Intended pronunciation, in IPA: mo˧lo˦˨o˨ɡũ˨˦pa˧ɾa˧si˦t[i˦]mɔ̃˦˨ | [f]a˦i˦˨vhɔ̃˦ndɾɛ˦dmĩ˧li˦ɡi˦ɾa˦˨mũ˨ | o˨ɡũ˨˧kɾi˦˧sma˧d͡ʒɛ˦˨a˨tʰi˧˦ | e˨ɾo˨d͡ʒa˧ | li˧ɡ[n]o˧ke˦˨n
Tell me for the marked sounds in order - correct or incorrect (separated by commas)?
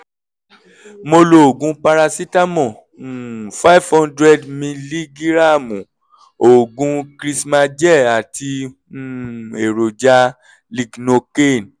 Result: incorrect, correct, correct